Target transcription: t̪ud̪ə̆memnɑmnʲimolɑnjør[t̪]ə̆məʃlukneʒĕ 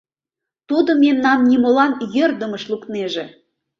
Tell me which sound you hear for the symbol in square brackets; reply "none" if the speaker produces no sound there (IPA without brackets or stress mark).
d̪